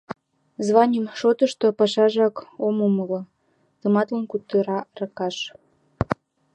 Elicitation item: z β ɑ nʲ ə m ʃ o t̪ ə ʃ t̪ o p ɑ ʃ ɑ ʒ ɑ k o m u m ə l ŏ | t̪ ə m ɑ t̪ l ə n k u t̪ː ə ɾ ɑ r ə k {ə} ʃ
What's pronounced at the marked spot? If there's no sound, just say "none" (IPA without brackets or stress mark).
ɑ